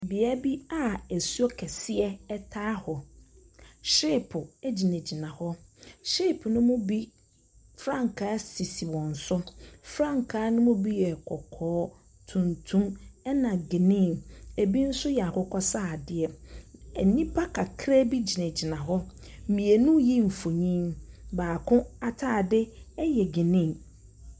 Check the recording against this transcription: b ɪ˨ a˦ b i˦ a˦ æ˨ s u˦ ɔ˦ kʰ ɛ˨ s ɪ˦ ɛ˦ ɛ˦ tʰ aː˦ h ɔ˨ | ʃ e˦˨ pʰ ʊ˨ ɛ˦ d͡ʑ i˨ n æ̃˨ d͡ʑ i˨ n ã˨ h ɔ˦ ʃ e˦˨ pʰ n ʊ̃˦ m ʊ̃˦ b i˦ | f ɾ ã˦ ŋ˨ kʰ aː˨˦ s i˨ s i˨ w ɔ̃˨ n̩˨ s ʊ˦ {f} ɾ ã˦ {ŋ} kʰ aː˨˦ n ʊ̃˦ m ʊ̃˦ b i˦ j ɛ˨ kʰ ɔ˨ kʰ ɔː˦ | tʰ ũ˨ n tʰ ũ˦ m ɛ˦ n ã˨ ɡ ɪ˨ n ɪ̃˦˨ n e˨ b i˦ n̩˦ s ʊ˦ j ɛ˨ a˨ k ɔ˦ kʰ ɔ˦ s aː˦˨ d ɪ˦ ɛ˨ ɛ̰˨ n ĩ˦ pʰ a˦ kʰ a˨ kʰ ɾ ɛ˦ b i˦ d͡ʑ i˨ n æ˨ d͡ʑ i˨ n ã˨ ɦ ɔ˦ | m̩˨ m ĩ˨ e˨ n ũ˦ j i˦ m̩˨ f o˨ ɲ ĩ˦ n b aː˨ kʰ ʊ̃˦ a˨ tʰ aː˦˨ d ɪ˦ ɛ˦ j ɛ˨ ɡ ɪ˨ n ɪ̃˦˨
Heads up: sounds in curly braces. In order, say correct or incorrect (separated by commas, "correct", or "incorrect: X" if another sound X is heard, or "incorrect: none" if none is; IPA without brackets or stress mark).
correct, correct